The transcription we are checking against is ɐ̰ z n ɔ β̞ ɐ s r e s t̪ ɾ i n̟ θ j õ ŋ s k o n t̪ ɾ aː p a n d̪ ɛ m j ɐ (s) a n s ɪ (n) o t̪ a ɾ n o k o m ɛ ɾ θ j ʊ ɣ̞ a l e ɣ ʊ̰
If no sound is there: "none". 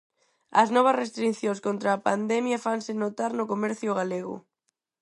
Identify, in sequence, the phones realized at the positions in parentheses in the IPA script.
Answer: f, n

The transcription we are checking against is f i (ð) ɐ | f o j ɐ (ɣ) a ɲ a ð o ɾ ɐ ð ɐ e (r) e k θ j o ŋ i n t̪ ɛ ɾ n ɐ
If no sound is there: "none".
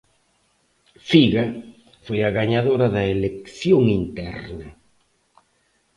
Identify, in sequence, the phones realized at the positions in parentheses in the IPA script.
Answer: ɣ, ɣ, l

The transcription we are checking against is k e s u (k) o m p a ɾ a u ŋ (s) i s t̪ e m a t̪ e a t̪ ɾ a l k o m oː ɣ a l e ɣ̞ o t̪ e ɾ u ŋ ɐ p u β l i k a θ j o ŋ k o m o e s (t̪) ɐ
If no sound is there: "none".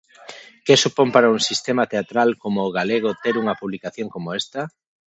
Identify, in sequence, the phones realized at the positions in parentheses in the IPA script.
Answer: p, s, t̪

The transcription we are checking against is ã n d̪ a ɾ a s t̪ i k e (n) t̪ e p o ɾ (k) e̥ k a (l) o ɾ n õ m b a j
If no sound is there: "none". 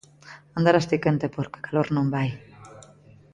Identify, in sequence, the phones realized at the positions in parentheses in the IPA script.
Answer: n, k, l

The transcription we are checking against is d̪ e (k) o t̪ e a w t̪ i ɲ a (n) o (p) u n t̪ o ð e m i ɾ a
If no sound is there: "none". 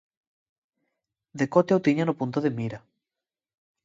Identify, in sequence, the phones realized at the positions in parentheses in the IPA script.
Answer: k, n, p

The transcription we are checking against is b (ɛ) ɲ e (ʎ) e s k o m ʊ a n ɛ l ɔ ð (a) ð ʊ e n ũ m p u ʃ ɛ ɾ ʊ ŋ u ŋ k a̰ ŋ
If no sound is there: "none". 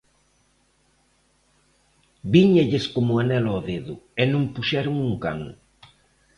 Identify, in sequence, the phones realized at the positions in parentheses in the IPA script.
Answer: i, ʎ, e

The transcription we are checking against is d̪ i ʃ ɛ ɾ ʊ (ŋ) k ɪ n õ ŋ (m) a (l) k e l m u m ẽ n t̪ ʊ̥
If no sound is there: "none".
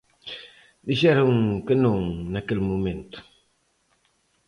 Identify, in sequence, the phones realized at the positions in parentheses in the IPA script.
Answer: ŋ, n, none

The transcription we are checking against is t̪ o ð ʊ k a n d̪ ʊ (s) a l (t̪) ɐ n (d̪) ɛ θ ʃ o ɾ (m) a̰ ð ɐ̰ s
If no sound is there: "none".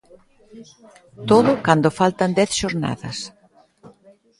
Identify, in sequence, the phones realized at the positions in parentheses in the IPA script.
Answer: f, t̪, d̪, n

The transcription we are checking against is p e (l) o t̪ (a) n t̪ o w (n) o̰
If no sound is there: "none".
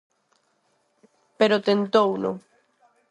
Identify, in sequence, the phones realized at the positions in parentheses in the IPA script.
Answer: ɾ, e, n

